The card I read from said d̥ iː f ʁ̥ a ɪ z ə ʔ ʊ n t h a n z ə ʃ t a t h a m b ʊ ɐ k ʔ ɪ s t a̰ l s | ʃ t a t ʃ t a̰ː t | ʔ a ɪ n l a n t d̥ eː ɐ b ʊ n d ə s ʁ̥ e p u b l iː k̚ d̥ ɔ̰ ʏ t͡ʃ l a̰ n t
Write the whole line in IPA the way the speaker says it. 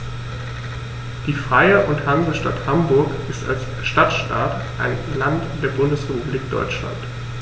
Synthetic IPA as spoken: d̥ iː f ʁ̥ a ɪ ə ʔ ʊ n t h a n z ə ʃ t a t h a m b ʊ ɐ k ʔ ɪ s t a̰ l s | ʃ t a t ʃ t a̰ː t | ʔ a ɪ n l a n t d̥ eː ɐ b ʊ n d ə s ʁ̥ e p u b l iː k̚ d̥ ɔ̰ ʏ t͡ʃ l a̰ n t